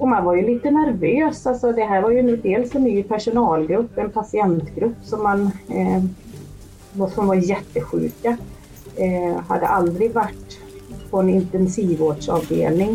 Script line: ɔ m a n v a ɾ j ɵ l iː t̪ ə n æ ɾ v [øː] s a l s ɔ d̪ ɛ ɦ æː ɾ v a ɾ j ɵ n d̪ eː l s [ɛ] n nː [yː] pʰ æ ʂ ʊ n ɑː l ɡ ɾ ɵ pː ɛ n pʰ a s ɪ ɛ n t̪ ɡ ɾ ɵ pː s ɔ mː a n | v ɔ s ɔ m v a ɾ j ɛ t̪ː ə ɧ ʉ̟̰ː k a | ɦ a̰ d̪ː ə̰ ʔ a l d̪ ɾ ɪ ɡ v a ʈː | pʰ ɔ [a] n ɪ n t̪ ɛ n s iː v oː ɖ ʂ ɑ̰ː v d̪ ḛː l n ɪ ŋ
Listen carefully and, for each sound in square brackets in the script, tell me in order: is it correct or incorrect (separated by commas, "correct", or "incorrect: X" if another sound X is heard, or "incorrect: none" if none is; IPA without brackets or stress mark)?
correct, correct, correct, incorrect: ɛ